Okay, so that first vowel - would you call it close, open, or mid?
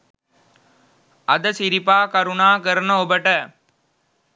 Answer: open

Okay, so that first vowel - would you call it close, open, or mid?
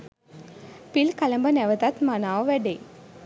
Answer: close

